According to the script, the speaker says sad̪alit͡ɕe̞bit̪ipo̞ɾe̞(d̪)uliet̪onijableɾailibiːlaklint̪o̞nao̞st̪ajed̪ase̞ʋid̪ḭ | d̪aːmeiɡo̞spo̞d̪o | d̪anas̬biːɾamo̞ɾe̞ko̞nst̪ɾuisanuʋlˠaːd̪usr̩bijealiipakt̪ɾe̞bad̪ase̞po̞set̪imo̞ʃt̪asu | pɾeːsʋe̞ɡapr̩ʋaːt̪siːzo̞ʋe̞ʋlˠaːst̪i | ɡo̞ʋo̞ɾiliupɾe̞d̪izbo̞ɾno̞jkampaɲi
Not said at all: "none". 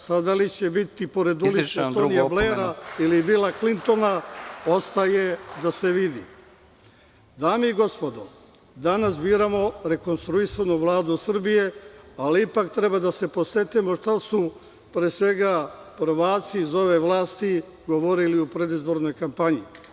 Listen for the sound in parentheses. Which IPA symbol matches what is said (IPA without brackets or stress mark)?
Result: d̪